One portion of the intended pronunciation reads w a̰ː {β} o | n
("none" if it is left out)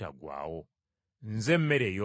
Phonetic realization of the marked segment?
w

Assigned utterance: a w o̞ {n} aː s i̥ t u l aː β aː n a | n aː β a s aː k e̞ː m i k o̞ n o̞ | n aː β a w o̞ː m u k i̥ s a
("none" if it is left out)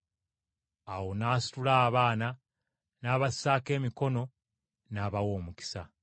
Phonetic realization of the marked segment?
n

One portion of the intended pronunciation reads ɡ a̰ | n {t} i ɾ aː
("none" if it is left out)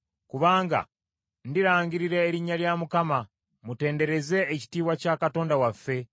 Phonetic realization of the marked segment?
d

